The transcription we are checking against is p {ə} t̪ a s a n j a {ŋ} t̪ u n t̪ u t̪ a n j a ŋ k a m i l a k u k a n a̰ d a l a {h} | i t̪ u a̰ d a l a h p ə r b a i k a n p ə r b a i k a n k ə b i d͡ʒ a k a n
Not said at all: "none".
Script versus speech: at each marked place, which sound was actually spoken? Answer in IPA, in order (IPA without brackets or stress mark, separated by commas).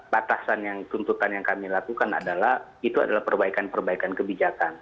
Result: a, ŋ, h